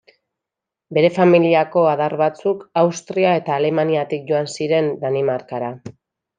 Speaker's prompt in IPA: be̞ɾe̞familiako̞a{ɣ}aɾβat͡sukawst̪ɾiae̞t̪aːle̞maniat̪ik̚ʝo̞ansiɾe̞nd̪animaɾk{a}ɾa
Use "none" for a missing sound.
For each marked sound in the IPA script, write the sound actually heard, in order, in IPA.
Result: ð, a

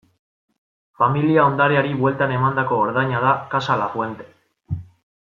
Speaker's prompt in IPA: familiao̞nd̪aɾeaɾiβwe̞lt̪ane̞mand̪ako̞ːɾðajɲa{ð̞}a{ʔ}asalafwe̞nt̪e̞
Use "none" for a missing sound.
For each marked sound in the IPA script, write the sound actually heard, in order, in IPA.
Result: ð̞, k

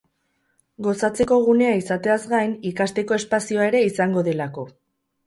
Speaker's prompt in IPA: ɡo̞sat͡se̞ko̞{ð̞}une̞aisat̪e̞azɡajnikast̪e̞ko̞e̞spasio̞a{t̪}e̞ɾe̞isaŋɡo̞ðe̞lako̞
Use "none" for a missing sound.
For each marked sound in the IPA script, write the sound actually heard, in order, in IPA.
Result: ɣ̞, none

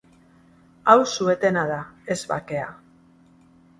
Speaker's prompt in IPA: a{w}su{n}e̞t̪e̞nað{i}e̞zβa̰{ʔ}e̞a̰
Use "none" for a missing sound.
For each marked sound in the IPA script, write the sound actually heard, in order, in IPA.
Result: w, none, a, k

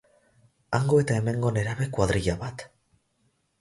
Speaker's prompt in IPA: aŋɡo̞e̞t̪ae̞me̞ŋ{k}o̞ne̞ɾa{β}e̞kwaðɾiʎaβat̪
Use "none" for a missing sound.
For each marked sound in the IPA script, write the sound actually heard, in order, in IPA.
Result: ɡ, β

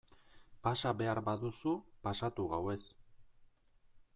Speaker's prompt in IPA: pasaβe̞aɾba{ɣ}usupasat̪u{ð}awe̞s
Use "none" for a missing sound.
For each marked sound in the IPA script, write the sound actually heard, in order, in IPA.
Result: ð, ɣ

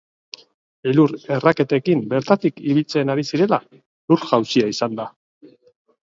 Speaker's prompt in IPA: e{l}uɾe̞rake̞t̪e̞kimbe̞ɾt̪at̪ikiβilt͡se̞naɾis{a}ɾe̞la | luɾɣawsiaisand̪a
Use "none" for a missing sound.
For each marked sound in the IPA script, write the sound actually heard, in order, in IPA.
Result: l, i

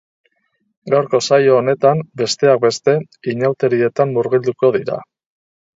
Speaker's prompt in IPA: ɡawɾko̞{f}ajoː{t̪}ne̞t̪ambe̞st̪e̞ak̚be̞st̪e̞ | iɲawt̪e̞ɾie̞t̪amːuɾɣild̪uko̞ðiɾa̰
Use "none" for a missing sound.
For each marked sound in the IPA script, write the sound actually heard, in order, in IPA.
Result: s, none

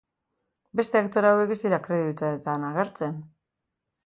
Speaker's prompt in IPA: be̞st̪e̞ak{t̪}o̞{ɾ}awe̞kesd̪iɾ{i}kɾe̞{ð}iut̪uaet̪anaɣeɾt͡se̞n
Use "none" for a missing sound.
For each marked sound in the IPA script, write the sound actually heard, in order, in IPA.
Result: t̪, ɾ, a, ð

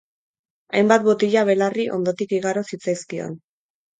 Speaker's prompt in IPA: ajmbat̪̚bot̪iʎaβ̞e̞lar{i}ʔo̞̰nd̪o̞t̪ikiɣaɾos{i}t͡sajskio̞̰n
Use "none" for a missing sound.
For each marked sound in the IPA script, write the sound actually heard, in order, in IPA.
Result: i, i

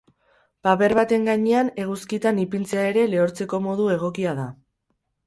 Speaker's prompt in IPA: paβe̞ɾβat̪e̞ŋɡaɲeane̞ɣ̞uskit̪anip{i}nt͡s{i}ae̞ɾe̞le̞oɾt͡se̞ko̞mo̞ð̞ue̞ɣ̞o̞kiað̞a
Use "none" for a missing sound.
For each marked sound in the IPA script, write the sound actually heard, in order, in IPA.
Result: i, e

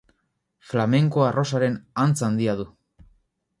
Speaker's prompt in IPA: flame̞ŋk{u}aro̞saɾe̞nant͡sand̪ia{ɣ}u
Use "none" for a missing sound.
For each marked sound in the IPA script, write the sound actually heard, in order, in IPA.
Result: o, ð

